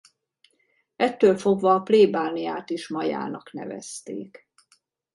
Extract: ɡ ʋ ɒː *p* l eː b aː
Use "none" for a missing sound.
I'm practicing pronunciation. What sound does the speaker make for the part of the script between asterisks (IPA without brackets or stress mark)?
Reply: p